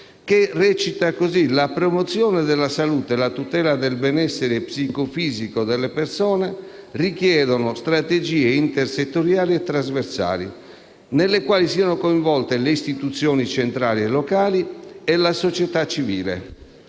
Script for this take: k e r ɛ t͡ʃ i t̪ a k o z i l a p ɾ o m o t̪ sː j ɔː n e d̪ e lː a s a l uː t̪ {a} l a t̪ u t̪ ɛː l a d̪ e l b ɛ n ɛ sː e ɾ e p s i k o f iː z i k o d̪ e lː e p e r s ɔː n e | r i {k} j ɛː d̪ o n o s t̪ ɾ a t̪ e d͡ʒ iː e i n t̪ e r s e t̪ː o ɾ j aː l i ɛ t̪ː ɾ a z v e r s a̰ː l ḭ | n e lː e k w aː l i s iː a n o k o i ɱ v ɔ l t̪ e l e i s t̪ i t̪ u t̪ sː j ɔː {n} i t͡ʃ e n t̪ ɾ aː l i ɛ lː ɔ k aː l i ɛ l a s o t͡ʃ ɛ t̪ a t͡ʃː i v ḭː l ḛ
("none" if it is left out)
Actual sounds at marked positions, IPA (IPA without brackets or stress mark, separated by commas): e, k, n